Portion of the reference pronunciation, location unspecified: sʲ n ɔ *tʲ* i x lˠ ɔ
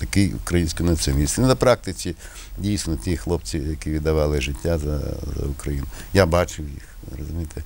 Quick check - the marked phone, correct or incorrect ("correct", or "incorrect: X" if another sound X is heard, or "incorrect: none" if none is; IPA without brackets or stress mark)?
correct